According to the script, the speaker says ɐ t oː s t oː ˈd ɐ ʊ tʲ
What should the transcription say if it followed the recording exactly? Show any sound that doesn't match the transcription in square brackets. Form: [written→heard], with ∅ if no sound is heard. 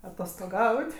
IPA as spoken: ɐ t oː s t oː [ˈd→ˈɡ] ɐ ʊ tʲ